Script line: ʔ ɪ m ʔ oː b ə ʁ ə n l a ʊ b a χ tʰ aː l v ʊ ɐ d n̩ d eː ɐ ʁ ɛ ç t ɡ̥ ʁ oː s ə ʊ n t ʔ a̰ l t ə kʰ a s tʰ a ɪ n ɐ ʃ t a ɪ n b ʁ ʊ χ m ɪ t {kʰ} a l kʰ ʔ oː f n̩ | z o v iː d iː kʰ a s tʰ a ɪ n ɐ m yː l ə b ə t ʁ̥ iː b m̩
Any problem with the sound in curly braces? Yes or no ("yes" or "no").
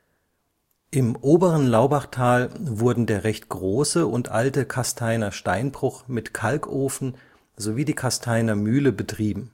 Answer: no